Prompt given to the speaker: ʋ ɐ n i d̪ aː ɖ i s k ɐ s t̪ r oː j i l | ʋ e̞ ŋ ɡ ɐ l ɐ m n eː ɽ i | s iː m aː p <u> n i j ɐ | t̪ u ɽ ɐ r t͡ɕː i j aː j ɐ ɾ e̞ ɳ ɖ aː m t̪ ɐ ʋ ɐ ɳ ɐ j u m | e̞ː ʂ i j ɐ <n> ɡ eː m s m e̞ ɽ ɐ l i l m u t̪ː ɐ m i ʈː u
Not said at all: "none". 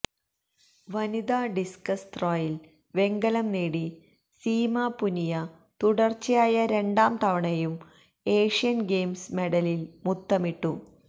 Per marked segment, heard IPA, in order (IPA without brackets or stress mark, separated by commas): u, n